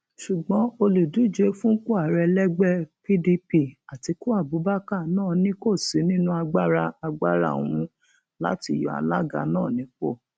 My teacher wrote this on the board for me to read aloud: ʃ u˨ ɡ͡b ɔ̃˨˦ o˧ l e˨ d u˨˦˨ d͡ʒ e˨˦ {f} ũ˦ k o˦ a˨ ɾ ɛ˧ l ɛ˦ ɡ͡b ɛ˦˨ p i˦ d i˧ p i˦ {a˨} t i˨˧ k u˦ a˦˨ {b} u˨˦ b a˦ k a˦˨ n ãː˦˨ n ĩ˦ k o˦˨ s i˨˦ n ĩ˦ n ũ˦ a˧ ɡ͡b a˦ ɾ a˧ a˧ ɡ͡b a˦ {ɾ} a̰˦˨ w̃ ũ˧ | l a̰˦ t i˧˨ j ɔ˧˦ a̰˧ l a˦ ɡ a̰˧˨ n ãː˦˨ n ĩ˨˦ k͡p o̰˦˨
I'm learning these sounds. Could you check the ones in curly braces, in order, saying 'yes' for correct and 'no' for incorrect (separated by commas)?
yes, yes, yes, yes